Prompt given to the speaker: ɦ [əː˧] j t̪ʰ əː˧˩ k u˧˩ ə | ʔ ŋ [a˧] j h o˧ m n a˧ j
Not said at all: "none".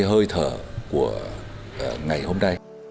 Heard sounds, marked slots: əː˧, a˨˩

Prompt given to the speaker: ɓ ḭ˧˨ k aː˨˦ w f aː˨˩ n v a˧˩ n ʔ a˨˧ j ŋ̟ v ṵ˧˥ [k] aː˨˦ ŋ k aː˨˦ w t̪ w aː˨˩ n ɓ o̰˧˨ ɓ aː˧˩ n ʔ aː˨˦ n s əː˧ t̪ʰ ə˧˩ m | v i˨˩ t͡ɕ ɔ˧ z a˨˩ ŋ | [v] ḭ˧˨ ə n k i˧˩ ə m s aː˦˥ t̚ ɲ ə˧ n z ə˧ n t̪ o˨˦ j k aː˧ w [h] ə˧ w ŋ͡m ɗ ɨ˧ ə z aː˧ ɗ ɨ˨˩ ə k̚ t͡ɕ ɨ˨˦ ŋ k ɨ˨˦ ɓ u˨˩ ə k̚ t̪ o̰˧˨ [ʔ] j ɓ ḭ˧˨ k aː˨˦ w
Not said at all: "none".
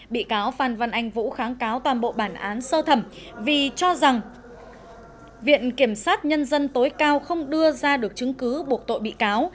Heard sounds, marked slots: x, v, x, none

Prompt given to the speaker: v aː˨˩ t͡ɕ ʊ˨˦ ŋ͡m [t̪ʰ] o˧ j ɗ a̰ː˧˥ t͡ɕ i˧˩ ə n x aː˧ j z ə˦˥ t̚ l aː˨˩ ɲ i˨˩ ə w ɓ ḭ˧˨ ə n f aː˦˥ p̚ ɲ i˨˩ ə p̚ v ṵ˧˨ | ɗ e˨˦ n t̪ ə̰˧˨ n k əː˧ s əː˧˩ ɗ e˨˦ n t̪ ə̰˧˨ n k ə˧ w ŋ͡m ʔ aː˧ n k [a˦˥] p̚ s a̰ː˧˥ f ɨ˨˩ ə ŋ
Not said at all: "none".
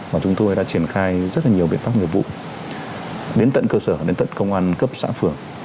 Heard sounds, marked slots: t̪, ə˦˥

